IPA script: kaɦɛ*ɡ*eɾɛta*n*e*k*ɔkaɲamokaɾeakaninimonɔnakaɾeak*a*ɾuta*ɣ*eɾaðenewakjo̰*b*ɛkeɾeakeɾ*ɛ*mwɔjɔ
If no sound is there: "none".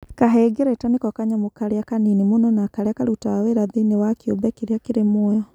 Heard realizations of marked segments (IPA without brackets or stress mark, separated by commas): ɡ, n, k, a, w, b, e